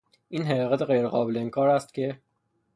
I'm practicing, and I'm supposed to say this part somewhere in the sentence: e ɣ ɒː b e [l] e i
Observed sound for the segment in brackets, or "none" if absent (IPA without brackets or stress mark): l